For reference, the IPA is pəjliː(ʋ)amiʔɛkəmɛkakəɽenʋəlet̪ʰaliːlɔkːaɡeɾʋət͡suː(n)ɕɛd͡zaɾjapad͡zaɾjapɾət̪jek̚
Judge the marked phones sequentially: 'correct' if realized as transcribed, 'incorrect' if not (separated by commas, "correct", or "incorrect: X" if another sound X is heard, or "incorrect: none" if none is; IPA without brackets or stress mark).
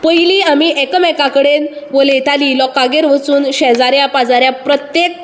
incorrect: none, correct